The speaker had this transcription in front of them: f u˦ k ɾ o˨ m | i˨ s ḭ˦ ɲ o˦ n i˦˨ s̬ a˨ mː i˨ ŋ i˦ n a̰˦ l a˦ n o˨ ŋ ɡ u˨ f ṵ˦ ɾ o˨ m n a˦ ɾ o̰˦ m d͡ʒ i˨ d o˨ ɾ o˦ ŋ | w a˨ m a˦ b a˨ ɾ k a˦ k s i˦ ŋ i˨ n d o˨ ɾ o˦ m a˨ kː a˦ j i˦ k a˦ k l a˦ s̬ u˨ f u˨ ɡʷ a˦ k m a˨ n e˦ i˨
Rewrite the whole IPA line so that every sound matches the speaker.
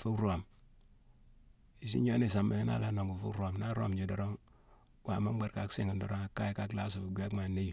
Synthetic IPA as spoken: f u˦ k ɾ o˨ m | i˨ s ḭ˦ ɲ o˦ n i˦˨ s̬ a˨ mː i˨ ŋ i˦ n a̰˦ l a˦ n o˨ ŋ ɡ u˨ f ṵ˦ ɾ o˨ m n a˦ ɾ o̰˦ m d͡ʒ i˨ d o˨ ɾ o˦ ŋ | w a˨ m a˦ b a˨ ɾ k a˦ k s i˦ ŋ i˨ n d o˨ ɾ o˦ ŋ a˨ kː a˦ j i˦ k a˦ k l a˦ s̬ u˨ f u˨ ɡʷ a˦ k m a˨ n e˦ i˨